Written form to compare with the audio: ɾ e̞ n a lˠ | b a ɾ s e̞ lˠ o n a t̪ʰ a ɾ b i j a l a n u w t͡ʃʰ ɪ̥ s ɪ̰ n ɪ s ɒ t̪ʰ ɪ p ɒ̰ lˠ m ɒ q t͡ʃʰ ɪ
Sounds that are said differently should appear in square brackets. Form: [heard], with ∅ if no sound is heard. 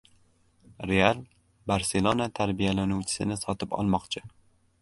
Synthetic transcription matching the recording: ɾ e̞ [∅] a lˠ | b a ɾ s e̞ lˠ o n a t̪ʰ a ɾ b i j a l a n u w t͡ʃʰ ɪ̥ s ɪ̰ n ɪ s ɒ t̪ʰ ɪ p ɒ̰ lˠ m ɒ q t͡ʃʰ ɪ